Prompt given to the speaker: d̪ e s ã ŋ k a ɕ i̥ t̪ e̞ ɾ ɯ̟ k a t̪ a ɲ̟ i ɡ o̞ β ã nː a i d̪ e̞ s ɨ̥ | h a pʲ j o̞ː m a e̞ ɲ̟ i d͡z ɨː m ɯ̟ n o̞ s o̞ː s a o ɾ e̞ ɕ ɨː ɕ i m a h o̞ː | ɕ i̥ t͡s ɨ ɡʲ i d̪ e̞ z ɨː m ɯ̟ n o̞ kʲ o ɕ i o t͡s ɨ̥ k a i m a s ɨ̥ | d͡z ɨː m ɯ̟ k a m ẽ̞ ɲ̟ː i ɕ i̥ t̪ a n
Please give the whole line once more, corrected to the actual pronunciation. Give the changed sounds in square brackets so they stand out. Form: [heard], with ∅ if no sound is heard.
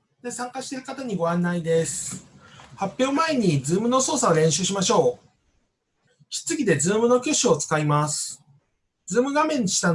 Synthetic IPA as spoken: d̪ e s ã ŋ k a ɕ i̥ t̪ e̞ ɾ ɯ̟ k a t̪ a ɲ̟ i ɡ o̞ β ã nː a i d̪ e̞ s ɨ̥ | h a pʲ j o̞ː m a e̞ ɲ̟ i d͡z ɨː m ɯ̟ n o̞ s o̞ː s a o ɾ [ẽ̞] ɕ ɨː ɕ i m a [ɕ] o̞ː | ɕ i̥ t͡s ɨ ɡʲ i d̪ e̞ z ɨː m ɯ̟ n o̞ kʲ o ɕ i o t͡s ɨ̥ k a i m a s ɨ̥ | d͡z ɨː m ɯ̟ [ɡ] a m ẽ̞ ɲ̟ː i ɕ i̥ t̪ a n

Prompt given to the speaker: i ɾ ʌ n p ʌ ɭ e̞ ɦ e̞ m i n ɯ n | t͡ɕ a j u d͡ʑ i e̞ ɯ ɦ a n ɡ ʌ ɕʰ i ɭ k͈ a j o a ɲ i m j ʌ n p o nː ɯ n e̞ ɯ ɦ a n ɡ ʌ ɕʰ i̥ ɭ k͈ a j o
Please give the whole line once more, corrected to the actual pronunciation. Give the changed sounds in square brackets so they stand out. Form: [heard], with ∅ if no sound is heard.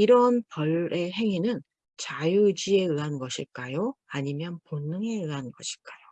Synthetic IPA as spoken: i ɾ ʌ n p ʌ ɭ e̞ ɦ e̞ [ŋ] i n ɯ n | t͡ɕ a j u d͡ʑ i e̞ ɯ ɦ a n ɡ ʌ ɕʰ i ɭ k͈ a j o a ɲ i m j ʌ n p o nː ɯ [ŋ] e̞ ɯ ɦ a n ɡ ʌ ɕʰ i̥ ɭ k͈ a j o

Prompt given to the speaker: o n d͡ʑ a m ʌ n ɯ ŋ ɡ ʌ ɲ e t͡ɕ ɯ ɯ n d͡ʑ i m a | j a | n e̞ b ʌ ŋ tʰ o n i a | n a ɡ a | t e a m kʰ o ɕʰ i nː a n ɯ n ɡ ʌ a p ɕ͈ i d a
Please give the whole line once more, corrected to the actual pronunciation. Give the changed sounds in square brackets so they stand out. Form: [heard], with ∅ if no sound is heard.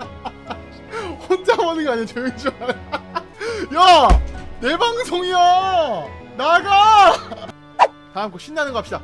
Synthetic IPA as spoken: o n d͡ʑ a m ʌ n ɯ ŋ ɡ [a] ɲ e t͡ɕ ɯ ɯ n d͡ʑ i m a | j a | n e̞ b [a] ŋ [sʰ] o [ŋ] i a | n a ɡ a | t [a] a m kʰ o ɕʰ i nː a n ɯ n ɡ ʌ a p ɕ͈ i d a

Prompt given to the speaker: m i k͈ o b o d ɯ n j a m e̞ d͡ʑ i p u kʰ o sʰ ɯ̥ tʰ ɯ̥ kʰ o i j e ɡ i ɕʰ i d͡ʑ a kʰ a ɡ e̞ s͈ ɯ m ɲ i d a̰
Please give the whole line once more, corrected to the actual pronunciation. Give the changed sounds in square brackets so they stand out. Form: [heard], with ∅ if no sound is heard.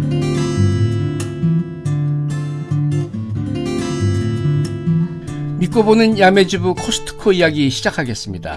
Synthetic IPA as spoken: m i k͈ o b o [n] ɯ n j a m e̞ d͡ʑ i [b] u kʰ o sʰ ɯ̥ tʰ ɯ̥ kʰ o i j [a] ɡ i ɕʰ i d͡ʑ a kʰ a ɡ e̞ s͈ ɯ m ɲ i d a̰

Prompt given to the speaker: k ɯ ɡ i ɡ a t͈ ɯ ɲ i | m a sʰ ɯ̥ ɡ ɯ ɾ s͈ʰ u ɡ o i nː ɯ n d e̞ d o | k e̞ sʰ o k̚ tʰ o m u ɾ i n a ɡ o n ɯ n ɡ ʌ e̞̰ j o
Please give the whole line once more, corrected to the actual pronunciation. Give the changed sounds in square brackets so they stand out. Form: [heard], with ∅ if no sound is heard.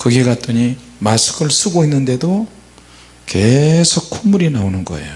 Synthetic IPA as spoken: k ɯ ɡ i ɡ a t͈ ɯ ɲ i | m a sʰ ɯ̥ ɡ ɯ [ɭ] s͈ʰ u ɡ o i nː ɯ n d e̞ d o | k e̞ sʰ o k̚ [kʰ] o m u ɾ i n a [∅] o n ɯ n ɡ ʌ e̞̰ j o

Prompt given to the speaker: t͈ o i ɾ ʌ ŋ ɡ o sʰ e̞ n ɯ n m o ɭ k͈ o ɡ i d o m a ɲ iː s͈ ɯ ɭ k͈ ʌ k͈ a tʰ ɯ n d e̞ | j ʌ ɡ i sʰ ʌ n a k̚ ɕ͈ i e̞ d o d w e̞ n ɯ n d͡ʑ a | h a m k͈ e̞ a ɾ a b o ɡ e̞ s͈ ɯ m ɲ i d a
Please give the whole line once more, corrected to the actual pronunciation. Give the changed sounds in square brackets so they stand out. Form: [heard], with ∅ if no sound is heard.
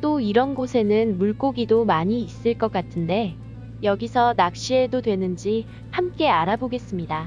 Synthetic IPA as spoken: t͈ o i ɾ ʌ [n] ɡ o sʰ e̞ n ɯ n m [u] ɭ k͈ o ɡ i d o m a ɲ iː s͈ ɯ ɭ k͈ ʌ k͈ a tʰ ɯ n d e̞ | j ʌ ɡ i sʰ ʌ n a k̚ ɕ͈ i e̞ d o d w e̞ n ɯ n d͡ʑ [i] | h a m k͈ e̞ a ɾ a b o ɡ e̞ s͈ ɯ m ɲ i d a

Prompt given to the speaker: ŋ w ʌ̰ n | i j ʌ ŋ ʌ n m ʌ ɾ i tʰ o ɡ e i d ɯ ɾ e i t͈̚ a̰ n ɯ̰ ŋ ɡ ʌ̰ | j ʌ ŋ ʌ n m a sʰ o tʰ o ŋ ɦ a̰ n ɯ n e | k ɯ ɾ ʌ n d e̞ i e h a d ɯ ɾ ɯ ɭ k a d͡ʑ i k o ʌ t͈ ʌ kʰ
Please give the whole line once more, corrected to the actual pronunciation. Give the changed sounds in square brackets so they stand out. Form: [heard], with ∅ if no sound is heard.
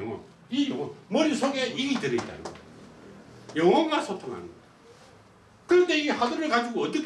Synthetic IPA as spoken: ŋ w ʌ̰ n | i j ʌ ŋ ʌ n m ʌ ɾ i [sʰ] o ɡ e i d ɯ ɾ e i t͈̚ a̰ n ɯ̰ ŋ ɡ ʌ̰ | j ʌ ŋ ʌ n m a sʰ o tʰ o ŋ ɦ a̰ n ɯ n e | k ɯ ɾ ʌ n d e̞ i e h a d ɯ ɾ ɯ ɭ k a d͡ʑ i [ɡ] o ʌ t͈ ʌ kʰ

